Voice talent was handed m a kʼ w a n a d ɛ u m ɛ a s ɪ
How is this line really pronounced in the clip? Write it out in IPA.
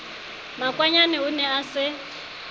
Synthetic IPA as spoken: m a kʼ w a ɲ a n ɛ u n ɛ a s ɪ